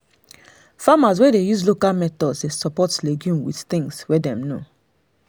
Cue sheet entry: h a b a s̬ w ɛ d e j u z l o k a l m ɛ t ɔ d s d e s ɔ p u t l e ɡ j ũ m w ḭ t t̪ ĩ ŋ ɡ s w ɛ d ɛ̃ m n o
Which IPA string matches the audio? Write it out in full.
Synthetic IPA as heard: f a m a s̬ w ɛ d e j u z l o k a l m ɛ t ɔ d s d e s ɔ p ɔ t l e ɡ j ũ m w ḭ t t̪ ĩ ŋ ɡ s w ɛ d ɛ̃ m n o